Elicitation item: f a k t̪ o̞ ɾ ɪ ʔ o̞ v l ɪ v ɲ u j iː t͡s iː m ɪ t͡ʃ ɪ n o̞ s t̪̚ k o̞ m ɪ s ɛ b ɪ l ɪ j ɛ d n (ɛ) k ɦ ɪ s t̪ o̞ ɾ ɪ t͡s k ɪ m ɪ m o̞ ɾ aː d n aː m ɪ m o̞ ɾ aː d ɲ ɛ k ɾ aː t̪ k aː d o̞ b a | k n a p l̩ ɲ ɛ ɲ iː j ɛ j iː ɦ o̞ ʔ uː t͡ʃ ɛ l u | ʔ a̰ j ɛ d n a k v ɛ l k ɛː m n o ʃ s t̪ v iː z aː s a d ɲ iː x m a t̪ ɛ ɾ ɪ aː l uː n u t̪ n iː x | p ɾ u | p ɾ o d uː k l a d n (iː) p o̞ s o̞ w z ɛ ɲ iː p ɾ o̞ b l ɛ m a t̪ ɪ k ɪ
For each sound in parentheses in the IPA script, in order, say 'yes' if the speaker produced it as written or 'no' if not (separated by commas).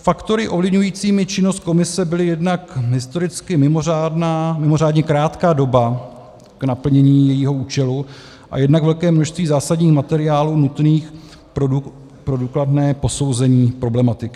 no, no